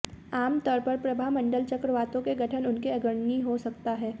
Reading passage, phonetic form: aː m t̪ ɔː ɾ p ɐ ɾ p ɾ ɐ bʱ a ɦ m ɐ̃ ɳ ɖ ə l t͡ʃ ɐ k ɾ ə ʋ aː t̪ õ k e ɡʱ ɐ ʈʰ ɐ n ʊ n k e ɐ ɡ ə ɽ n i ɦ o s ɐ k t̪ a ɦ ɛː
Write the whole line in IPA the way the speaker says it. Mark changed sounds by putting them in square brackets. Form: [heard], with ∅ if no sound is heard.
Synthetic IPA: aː m t̪ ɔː ɾ p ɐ ɾ p ɾ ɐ bʱ a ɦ m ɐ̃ ɳ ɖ ə l t͡ʃ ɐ k ɾ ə ʋ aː t̪ õ k e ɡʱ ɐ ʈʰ [ə] n ʊ n k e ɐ ɡ ə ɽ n i ɦ o s ɐ k t̪ a ɦ ɛː

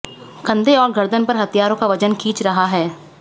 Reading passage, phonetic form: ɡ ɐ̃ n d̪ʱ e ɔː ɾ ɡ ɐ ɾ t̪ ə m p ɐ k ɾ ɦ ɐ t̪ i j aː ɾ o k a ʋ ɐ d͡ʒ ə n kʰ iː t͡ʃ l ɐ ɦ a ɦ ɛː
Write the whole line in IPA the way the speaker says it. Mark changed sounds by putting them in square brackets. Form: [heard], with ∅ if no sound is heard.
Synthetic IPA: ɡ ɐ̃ n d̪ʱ e ɔː ɾ ɡ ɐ ɾ [d̪] ə [n] p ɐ [∅] ɾ ɦ ɐ t̪ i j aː ɾ [õ] k a ʋ ɐ d͡ʒ ə n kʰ iː t͡ʃ [ɾ] ɐ ɦ a ɦ ɛː

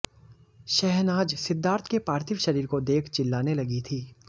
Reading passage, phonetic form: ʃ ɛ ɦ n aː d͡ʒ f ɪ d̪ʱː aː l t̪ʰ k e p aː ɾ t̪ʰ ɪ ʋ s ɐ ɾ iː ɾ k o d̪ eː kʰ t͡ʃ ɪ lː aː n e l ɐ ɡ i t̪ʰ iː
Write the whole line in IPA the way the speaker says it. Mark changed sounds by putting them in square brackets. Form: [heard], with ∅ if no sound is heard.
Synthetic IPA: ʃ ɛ ɦ n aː d͡ʒ [s] ɪ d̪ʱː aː [ɾ] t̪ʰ k e p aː ɾ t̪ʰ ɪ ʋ [ʃ] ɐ ɾ iː ɾ k o d̪ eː kʰ t͡ʃ ɪ lː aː n e l ɐ ɡ i t̪ʰ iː

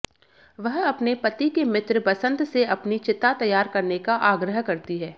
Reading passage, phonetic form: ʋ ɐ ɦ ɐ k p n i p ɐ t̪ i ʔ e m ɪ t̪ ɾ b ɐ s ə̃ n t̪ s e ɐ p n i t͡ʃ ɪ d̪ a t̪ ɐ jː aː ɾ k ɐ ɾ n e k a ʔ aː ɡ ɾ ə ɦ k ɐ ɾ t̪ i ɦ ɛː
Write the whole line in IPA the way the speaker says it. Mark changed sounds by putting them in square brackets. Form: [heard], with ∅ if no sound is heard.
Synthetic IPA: ʋ ɐ ɦ ɐ [∅] p n [e] p ɐ t̪ i [k] e m ɪ t̪ ɾ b ɐ s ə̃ n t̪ s e ɐ p n i t͡ʃ ɪ [t̪] a t̪ ɐ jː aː ɾ k ɐ ɾ n e k a ʔ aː ɡ ɾ ə ɦ k ɐ ɾ t̪ i ɦ ɛː

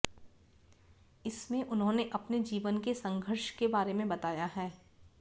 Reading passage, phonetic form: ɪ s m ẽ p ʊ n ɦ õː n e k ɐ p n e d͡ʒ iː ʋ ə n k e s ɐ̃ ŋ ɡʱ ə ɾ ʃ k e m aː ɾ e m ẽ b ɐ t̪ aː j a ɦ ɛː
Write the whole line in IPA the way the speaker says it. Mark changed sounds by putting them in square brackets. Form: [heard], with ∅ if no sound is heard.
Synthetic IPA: ɪ s m ẽ [ʔ] ʊ n ɦ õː n e [ʔ] ɐ p n e d͡ʒ iː ʋ ə n k e s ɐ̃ ŋ ɡʱ ə ɾ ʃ k e [b] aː ɾ e m ẽ b ɐ t̪ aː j a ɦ ɛː

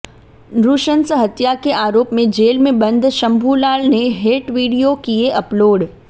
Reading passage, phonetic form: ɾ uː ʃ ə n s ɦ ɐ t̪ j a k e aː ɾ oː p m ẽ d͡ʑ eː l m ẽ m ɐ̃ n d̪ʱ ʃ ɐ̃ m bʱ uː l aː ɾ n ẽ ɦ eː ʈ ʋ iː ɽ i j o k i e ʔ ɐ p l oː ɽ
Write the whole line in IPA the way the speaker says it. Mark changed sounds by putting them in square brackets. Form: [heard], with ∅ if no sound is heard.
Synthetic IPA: ɾ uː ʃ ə n s ɦ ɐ t̪ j a k e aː ɾ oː p m ẽ d͡ʑ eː l m ẽ [b] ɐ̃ n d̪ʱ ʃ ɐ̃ m bʱ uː l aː [l] n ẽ ɦ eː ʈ ʋ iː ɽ i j o k i e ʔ ɐ p l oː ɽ

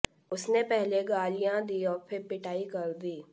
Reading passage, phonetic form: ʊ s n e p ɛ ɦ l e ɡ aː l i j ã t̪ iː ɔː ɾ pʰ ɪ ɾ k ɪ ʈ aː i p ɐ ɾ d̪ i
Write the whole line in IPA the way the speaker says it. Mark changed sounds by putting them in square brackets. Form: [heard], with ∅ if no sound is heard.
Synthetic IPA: ʊ s n e p ɛ ɦ l e ɡ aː l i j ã [d̪] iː ɔː ɾ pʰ ɪ ɾ [p] ɪ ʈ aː i [k] ɐ ɾ d̪ [iː]

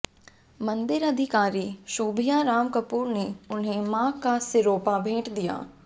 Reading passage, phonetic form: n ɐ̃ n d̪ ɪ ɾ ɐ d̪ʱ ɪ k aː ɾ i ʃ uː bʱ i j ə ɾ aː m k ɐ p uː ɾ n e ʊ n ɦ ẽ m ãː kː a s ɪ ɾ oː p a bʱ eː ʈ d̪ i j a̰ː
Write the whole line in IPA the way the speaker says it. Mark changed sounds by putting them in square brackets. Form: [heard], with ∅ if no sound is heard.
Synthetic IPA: [m] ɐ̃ n d̪ ɪ ɾ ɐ d̪ʱ ɪ k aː ɾ i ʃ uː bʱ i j [a] ɾ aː m k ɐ p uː ɾ n e ʊ n ɦ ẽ m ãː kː a s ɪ ɾ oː p a bʱ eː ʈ d̪ i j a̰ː

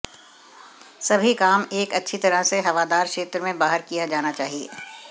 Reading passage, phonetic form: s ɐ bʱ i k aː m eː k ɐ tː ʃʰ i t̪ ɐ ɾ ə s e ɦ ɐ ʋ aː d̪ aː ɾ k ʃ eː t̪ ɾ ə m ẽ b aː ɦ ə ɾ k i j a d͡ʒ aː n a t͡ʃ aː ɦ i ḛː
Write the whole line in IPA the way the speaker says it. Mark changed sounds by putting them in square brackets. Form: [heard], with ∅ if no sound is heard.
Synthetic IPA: s ɐ bʱ i k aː m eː k ɐ tː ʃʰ i t̪ ɐ ɾ ə s e ɦ ɐ ʋ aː d̪ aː ɾ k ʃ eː t̪ ɾ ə m ẽ b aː ɦ ə ɾ k i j a d͡ʒ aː n a t͡ʃ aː ɦ i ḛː

